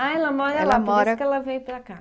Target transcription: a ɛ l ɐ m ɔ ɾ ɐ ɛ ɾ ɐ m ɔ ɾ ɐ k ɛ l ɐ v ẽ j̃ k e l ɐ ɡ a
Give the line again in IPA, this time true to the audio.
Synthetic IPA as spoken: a ɛ l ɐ m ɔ ɾ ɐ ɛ l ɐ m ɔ ɾ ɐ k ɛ l ɐ v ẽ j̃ p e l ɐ k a